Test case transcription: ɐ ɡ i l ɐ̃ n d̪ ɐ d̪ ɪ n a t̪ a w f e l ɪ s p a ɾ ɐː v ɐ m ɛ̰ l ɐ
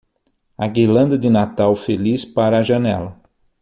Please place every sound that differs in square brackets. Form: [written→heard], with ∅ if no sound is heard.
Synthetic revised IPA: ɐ ɡ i l ɐ̃ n d̪ ɐ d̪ ɪ n a t̪ a w f e l [ɪ→i] s p a ɾ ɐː [v→ʒ] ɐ [m→n] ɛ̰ l ɐ